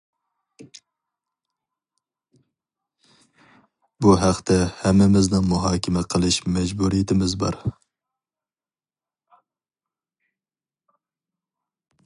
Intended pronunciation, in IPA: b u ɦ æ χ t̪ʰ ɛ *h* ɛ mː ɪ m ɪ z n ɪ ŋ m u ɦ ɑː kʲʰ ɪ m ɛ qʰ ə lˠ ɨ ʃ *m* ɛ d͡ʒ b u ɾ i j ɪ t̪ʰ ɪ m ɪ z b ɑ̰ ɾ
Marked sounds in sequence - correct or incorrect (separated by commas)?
correct, correct